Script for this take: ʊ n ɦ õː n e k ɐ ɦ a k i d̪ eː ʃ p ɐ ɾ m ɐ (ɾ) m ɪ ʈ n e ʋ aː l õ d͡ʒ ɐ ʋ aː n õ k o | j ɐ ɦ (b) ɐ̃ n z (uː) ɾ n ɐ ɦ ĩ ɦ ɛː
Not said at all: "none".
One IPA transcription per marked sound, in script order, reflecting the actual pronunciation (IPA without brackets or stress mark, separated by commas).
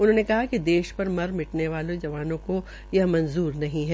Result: ɾ, m, uː